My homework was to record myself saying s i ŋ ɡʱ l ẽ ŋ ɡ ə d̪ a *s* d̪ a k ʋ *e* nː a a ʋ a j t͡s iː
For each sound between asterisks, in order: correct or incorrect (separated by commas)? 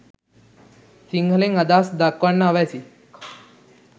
correct, incorrect